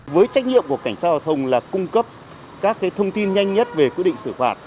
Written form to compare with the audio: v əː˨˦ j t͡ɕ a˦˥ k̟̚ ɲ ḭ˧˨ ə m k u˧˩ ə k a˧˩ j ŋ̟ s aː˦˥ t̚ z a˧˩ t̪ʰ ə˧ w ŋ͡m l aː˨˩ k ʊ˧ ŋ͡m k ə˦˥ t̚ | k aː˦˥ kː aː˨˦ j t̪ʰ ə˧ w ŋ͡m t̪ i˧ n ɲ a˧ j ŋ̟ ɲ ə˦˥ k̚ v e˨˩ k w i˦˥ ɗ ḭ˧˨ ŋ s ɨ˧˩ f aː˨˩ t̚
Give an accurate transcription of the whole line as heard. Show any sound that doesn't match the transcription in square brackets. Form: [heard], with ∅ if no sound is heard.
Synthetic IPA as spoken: v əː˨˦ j t͡ɕ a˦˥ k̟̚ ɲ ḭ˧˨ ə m k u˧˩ ə k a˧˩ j ŋ̟ s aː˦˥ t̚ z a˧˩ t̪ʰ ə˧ w ŋ͡m l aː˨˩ k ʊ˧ ŋ͡m k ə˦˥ [p̚] | k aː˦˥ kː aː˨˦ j t̪ʰ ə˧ w ŋ͡m t̪ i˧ n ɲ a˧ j ŋ̟ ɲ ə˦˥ [t̚] v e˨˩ k w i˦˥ ɗ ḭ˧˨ ŋ s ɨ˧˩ f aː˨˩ t̚